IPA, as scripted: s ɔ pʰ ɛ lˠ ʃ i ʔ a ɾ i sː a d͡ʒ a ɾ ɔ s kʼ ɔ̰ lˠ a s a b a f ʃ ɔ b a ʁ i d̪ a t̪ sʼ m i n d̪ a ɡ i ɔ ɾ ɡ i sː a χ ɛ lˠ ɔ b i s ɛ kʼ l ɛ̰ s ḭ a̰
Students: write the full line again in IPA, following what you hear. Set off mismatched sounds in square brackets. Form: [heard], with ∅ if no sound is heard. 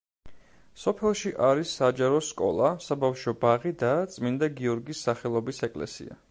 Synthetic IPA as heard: s ɔ pʰ ɛ lˠ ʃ i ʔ a ɾ i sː a d͡ʒ a ɾ ɔ s kʼ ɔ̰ lˠ a s a b a f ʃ ɔ b a ʁ i d̪ a t̪ sʼ m i n d̪ a ɡ i ɔ ɾ ɡ i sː a χ ɛ lˠ ɔ b i s ɛ kʼ l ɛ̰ s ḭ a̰